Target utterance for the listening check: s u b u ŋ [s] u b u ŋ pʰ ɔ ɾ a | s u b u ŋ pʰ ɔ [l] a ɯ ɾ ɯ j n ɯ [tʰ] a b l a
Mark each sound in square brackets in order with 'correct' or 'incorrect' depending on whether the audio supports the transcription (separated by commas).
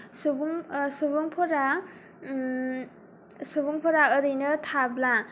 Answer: correct, incorrect, correct